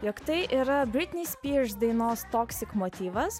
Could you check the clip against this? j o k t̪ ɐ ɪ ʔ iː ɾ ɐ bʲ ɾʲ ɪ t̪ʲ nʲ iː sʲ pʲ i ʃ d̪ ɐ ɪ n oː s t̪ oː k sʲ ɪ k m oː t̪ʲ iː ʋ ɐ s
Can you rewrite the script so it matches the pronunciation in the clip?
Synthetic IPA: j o k t̪ ɐ ɪ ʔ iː ɾ ɐ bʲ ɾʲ ɪ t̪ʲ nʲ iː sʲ pʲ i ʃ d̪ ɐ ɪ n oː s t̪ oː k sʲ ɪ k m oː t̪ʲ iː ʋ ɐ s